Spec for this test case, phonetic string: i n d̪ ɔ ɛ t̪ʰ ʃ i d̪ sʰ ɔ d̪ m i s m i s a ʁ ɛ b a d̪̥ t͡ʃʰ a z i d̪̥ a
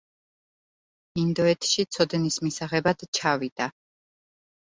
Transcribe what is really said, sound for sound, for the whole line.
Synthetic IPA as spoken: i n d̪ ɔ ɛ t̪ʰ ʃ i t̪ sʰ ɔ d̪ n i s m i s a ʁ ɛ b a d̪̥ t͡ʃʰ a v i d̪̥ a

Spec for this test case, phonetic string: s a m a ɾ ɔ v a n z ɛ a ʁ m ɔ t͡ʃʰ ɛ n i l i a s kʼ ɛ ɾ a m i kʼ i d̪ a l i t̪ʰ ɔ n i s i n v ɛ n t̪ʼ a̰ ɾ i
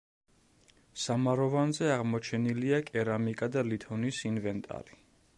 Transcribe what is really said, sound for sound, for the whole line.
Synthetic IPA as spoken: s a m a ɾ ɔ v a n z ɛ a ʁ m ɔ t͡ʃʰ ɛ n i l i a kʼ ɛ ɾ a m i kʼ a d̪ a l i t̪ʰ ɔ n i s i n v ɛ n t̪ʼ a̰ ɾ i

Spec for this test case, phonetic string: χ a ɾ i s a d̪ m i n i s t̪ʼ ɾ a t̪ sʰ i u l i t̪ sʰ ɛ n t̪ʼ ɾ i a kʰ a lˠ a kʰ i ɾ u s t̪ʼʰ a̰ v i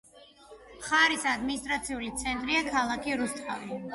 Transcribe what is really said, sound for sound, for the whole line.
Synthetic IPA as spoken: χ a ɾ i s a d̪ m i n i s t̪ʼ ɾ a t̪ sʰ i u l i t̪ sʰ ɛ n t̪ʼ ɾ i a kʰ a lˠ a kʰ i ɾ u s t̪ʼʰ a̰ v i

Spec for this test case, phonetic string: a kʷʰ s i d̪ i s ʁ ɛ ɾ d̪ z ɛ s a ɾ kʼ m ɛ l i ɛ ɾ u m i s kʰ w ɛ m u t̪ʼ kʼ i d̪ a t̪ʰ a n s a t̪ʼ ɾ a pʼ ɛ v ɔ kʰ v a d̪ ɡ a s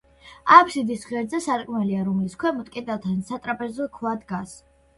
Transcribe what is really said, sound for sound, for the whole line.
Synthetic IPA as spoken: a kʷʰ s i d̪ i s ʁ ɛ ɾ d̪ z ɛ s a ɾ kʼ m ɛ l i a ɾ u m i s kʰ w ɛ m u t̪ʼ kʼ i d̪ a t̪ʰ a n s a t̪ʼ ɾ a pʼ ɛ z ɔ kʰ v a d̪ ɡ a s

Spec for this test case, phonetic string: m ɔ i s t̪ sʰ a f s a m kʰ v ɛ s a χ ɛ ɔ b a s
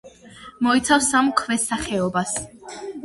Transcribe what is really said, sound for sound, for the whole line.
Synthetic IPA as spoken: m ɔ i t̪ sʰ a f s a m kʰ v ɛ s a χ ɛ ɔ b a s

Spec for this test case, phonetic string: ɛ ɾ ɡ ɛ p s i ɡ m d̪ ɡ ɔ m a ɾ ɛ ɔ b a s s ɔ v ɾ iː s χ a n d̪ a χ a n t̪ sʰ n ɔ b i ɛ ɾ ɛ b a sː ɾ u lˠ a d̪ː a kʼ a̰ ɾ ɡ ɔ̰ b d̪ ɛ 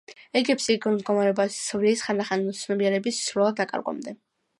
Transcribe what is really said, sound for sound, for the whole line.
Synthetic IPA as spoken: ɛ ɡ ɛ p s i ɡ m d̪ ɡ ɔ m a ɾ ɛ ɔ b a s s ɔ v ɾ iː s χ a n d̪ a χ a n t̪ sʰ n ɔ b i ɛ ɾ ɛ b i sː ɾ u lˠ a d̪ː a kʼ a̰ ɾ ɡ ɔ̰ m d̪ ɛ

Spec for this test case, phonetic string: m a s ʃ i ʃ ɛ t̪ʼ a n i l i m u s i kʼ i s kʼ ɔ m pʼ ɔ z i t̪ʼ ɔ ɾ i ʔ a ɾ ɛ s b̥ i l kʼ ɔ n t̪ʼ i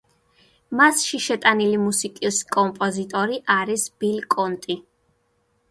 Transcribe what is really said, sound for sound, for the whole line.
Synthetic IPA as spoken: m a s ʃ i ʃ ɛ t̪ʼ a n i l i m u s i kʼ i s kʼ ɔ m pʼ ɔ z i t̪ʼ ɔ ɾ i ʔ a ɾ i s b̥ i l kʼ ɔ n t̪ʼ i

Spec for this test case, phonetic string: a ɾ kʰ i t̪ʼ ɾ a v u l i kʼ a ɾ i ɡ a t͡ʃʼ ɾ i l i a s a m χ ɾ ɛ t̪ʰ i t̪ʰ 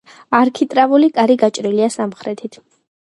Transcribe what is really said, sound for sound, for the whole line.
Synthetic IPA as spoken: a ɾ kʰ i t̪ʼ ɾ a v u l i kʼ a ɾ i ɡ a t͡ʃʼ ɾ i l i a s a m χ ɾ ɛ t̪ʰ i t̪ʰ

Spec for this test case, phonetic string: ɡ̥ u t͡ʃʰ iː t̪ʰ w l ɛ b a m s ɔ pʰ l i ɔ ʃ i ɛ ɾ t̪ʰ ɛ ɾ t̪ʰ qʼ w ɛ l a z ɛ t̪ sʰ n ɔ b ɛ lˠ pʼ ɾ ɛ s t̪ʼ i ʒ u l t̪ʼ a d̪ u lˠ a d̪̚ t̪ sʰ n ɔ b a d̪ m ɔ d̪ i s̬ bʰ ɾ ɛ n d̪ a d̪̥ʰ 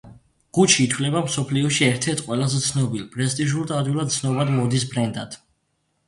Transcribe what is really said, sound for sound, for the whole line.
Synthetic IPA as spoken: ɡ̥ u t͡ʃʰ iː t̪ʰ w l ɛ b a m s ɔ pʰ l i ɔ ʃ i ɛ ɾ t̪ʰ ɛ ɾ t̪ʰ qʼ w ɛ l a z ɛ t̪ sʰ n ɔ b i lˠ pʼ ɾ ɛ s t̪ʼ i ʒ u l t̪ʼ a d̪ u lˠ a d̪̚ t̪ sʰ n ɔ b a d̪ m ɔ d̪ i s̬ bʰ ɾ ɛ n d̪ a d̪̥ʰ

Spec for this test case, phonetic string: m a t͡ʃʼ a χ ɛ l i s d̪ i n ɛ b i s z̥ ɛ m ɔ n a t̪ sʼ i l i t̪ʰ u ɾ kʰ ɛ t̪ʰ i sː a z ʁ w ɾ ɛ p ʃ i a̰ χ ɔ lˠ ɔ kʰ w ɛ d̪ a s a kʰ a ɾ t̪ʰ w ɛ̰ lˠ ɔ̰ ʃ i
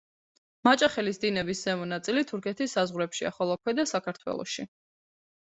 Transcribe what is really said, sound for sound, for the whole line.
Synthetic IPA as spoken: m a t͡ʃʼ a χ ɛ l i s d̪ i n ɛ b i s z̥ ɛ m ɔ n a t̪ sʼ i l i t̪ʰ u ɾ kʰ ɛ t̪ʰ i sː a z ʁ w ɾ ɛ p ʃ i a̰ χ ɔ lˠ ɔ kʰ w ɛ d̪ a s a kʰ a ɾ t̪ʰ w ɛ̰ lˠ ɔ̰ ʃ i

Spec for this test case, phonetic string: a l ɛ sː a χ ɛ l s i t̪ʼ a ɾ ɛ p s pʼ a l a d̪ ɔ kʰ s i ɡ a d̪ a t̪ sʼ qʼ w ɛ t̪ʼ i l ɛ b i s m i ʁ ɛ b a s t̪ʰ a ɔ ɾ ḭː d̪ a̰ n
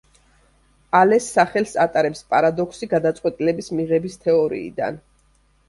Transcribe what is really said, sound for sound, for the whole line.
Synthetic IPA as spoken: a l ɛ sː a χ ɛ l s a t̪ʼ a ɾ ɛ p s pʼ a ɾ a d̪ ɔ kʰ s i ɡ a d̪ a t̪ sʼ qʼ w ɛ t̪ʼ i l ɛ b i s m i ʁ ɛ b i s t̪ʰ ɛ ɔ ɾ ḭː d̪ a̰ n

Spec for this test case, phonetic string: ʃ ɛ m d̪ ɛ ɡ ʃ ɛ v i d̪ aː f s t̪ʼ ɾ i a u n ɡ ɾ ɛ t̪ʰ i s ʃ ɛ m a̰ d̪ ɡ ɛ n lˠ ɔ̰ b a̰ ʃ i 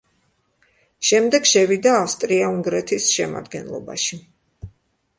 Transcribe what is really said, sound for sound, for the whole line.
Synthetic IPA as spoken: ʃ ɛ m d̪ ɛ ɡ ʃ ɛ v i d̪ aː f s t̪ʼ ɾ i a u ŋ ɡ ɾ ɛ t̪ʰ i s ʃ ɛ m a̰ d̪ ɡ ɛ n lˠ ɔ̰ b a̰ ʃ i

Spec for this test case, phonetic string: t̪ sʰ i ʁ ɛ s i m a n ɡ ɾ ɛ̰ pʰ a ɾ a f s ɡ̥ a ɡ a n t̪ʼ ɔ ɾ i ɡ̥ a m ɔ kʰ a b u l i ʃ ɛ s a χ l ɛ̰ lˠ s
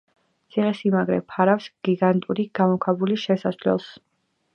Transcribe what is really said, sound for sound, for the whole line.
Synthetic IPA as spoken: t̪ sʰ i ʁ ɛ s i m a ɡ ɾ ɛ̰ pʰ a ɾ a f s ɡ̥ i ɡ a n t̪ʼ u ɾ i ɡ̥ a m ɔ kʰ a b u l i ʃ ɛ s a s l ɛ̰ lˠ s

